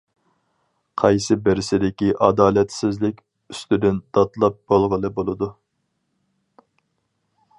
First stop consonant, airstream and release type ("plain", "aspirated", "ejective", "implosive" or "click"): aspirated